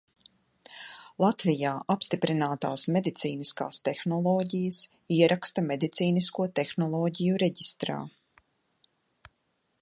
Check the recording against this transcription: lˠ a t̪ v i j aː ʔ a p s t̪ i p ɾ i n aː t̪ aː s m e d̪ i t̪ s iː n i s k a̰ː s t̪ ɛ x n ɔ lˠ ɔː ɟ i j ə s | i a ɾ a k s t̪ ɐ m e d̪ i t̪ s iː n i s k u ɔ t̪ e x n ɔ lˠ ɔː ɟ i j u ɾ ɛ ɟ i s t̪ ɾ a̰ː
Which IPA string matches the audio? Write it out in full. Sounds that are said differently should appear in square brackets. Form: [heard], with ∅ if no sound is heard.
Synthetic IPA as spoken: lˠ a t̪ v i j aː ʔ a p s t̪ i p ɾ i n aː t̪ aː s m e d̪ i t̪ s iː n i s k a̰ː s t̪ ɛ x n ɔ lˠ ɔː ɟ i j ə s | i [ɛ] ɾ a k s t̪ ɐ m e d̪ i t̪ s iː n i s k u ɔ t̪ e x n ɔ lˠ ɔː ɟ i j u ɾ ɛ ɟ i s t̪ ɾ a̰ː